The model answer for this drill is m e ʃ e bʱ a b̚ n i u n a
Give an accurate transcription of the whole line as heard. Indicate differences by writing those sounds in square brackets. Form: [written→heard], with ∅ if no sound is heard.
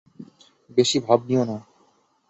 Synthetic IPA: [m→b] e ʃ [e→i] bʱ a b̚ n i [u→o] n a